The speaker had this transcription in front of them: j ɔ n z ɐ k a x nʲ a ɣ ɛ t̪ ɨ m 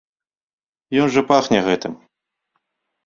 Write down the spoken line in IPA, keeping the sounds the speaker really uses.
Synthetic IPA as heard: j ɔ n ʐ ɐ p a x nʲ ɛ ɣ ɛ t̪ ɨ m

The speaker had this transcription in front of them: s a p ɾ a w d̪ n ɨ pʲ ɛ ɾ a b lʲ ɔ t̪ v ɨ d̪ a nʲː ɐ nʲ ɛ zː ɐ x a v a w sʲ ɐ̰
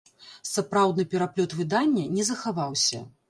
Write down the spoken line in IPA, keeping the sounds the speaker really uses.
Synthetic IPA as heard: s a p ɾ a w d̪ n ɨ pʲ ɛ ɾ a p lʲ ɔ t̪ v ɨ d̪ a nʲː ɐ nʲ ɛ z ɐ x a v a w sʲ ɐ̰

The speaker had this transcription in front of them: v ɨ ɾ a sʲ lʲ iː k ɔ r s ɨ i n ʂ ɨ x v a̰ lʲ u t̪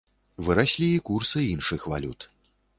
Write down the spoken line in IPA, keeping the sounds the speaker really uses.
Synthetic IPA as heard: v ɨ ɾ a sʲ lʲ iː k u r s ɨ i n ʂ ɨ x v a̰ lʲ u t̪

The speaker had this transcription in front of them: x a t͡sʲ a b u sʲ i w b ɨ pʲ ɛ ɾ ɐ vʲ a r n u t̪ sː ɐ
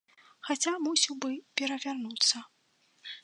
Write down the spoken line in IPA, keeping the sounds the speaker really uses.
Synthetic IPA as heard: x a t͡sʲ a m u sʲ i w b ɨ pʲ ɛ ɾ ɐ vʲ a r n u t̪ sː ɐ

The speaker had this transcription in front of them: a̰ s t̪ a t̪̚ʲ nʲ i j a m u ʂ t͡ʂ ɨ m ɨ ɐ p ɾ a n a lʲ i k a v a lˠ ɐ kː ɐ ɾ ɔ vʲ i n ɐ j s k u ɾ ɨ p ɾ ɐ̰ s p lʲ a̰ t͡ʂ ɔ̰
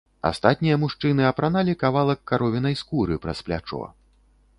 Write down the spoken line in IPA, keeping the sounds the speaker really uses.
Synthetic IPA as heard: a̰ s t̪ a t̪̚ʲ nʲ i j ɐ m u ʂ t͡ʂ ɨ n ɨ ɐ p ɾ a n a lʲ i k a v a lˠ ɐ kː a ɾ ɔ vʲ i n ɐ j s k u ɾ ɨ p ɾ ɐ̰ s p lʲ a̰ t͡ʂ ɔ̰

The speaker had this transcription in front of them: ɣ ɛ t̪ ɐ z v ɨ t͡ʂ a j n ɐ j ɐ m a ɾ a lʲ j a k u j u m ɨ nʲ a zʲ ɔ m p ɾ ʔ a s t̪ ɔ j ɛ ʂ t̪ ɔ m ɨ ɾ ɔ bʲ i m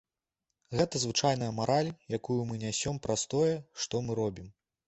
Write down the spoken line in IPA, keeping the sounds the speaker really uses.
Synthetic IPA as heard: ɣ ɛ t̪ ɐ z v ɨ t͡ʂ a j n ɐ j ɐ m a ɾ a lʲ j a k u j u m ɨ nʲ a sʲ ɔ m p ɾ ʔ a s t̪ ɔ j ɛ ʂ t̪ ɔ m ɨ ɾ ɔ bʲ i m

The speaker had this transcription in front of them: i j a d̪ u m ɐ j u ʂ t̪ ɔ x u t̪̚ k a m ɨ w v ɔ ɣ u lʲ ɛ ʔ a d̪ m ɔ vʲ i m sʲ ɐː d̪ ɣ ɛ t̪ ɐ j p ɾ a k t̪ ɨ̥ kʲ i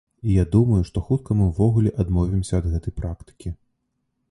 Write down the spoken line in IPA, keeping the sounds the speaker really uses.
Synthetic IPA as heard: i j a d̪ u m ɐ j u ʂ t̪ ɔ x u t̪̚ k ɐ m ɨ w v ɔ ɣ u lʲ ɛ ʔ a d̪ m ɔ vʲ i m sʲ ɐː d̪ ɣ ɛ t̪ ɐ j p ɾ a k t̪ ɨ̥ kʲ i

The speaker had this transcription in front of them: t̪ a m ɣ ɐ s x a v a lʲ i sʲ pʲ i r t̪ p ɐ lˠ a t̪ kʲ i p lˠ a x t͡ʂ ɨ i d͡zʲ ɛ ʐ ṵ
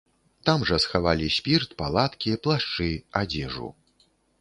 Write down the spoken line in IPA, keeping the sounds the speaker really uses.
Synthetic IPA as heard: t̪ a m ʐ ɐ s x a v a lʲ i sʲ pʲ i r t̪ p a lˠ a t̪ kʲ i p lˠ a ʂ t͡ʂ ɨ a d͡zʲ ɛ ʐ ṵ

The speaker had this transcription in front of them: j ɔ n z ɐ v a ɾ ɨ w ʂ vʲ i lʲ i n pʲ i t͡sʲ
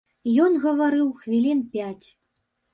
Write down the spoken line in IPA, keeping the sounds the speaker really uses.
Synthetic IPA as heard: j ɔ n ɣ ɐ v a ɾ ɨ w x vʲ i lʲ i n pʲ a t͡sʲ

